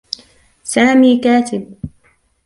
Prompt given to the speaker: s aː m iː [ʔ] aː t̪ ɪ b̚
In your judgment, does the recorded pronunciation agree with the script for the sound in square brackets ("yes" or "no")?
no